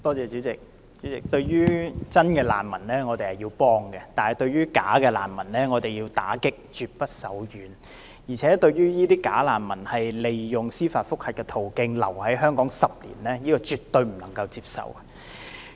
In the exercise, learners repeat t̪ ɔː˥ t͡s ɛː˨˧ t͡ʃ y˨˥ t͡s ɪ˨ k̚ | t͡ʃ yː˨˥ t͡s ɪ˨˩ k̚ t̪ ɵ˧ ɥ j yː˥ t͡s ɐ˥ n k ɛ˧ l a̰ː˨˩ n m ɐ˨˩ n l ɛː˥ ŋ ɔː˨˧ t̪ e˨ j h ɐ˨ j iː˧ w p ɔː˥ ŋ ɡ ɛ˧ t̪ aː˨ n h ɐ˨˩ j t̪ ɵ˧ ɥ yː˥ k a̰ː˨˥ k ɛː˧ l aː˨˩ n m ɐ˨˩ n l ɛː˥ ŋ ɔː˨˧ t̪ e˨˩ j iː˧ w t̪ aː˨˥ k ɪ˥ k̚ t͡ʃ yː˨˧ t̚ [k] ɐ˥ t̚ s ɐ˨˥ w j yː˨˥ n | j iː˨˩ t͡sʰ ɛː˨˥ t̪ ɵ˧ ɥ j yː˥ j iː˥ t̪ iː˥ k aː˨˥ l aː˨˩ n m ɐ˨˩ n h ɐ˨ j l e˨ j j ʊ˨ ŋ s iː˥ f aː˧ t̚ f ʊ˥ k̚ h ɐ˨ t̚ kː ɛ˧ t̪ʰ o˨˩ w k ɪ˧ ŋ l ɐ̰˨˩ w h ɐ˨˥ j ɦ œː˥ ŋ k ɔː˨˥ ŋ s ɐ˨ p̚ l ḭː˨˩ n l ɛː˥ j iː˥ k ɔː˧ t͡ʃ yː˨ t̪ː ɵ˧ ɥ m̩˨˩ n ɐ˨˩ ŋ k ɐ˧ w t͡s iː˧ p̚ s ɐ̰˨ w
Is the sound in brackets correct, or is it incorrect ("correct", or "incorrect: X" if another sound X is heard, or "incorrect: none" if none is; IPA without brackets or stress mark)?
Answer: incorrect: p